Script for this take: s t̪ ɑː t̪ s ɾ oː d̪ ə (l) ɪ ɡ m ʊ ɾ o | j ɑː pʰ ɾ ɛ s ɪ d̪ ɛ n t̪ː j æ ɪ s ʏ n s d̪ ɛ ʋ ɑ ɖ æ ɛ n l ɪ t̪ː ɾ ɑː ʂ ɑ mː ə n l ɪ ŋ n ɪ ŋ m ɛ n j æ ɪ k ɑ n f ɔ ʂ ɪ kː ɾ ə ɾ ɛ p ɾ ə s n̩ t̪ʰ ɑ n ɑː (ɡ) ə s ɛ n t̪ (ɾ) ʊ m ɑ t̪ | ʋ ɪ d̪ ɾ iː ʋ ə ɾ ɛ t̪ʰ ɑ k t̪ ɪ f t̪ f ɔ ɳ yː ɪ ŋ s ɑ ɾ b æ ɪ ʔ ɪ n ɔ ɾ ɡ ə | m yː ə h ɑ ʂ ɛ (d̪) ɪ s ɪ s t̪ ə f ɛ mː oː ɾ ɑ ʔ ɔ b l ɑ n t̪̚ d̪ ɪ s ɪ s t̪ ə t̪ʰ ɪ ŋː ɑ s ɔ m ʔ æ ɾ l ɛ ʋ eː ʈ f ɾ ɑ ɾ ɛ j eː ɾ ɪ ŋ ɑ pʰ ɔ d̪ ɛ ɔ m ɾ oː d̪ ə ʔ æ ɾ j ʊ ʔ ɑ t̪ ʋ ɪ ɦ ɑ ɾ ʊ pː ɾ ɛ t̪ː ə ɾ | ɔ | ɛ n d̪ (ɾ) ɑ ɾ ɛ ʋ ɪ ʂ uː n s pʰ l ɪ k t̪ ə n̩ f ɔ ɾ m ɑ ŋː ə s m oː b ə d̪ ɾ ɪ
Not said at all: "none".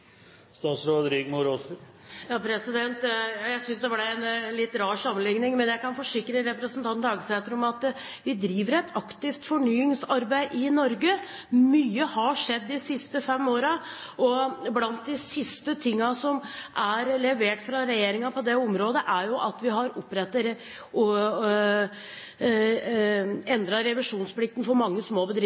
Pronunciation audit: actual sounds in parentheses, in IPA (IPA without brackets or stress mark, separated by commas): ɾ, ɡ, ɾ, d̪ː, ɾ